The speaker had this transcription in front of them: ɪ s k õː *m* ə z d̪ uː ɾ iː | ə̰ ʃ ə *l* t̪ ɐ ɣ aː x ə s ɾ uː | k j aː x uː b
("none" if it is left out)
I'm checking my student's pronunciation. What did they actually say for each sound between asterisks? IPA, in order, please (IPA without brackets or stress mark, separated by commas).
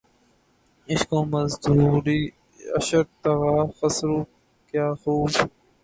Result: m, ɾ